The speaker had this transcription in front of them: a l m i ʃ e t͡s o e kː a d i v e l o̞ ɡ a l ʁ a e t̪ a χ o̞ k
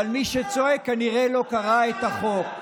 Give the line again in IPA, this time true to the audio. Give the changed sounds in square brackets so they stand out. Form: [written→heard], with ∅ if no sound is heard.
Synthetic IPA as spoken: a l m i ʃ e t͡s o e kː a [d→n] i [v→ʁ] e l o̞ [ɡ→k] a [l→∅] ʁ a e t̪ a χ o̞ k